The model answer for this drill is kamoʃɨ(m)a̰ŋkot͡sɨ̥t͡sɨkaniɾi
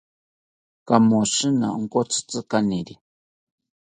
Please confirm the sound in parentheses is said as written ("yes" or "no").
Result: no